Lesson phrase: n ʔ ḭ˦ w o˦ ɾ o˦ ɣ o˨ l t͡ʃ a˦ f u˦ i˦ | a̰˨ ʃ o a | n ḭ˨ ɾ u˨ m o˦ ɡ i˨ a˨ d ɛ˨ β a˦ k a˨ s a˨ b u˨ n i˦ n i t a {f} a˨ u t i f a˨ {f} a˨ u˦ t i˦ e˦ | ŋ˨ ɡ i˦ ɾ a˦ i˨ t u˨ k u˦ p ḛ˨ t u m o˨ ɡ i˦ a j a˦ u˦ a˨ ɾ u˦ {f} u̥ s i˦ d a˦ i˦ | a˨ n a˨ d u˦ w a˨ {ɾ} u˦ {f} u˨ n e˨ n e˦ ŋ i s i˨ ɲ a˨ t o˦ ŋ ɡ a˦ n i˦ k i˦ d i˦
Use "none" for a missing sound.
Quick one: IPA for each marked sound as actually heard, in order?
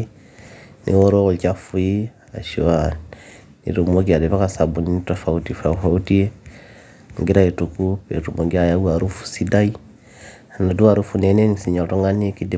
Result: f, f, f, ɾ, f

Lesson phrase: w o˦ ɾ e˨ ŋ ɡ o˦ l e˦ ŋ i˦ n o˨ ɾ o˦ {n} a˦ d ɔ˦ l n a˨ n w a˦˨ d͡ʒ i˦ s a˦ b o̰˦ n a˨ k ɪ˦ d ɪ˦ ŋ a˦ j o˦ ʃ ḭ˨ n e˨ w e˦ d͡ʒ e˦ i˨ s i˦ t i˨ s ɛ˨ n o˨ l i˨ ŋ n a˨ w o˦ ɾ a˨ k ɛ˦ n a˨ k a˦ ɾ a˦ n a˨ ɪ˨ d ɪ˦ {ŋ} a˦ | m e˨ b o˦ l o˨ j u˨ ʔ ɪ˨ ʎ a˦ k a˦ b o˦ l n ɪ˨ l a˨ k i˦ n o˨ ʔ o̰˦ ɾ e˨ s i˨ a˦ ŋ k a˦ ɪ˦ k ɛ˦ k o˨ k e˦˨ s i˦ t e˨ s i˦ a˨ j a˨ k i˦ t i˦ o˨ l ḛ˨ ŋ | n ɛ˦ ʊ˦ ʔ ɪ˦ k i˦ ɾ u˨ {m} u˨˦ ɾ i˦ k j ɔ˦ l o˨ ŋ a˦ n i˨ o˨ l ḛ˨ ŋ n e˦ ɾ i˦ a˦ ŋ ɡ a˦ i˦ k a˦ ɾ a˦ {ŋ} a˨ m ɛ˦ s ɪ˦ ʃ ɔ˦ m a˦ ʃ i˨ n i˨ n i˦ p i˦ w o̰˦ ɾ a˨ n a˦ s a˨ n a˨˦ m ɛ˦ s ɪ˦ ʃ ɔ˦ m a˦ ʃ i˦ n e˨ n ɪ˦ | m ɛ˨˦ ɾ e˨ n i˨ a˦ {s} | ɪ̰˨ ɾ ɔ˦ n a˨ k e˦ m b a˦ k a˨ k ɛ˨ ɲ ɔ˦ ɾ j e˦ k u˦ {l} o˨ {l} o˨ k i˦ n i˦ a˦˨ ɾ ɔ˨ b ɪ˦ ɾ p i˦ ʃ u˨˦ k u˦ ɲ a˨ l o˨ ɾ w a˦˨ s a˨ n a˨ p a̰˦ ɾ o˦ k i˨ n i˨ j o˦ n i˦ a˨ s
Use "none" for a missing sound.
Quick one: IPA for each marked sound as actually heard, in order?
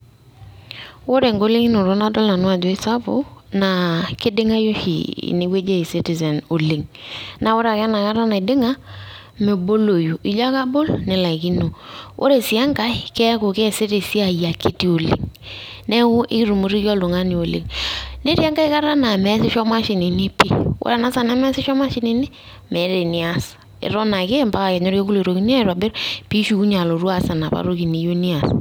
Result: n, ŋ, m, n, s, l, ɾ

